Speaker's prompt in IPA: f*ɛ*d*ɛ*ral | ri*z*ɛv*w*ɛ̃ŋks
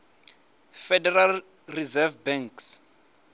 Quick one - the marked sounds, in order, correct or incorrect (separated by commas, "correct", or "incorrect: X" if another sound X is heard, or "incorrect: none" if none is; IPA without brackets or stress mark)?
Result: correct, correct, correct, incorrect: b